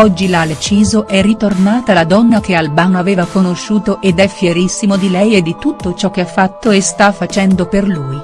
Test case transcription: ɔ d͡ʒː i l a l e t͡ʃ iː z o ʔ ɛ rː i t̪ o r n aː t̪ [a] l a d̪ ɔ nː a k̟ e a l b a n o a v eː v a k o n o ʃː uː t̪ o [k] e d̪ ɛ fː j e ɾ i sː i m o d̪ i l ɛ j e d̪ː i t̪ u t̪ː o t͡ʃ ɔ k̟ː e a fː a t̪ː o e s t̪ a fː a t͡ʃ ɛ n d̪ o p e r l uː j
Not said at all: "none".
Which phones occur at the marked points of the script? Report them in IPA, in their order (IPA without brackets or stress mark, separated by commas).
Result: a, ʔ